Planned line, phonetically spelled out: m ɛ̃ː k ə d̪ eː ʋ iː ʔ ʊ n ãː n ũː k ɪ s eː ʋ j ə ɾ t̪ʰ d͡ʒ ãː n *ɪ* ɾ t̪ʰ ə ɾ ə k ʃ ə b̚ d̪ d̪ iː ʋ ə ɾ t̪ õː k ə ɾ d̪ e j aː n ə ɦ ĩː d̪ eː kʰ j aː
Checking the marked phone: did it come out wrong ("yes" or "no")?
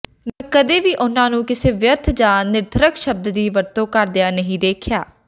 no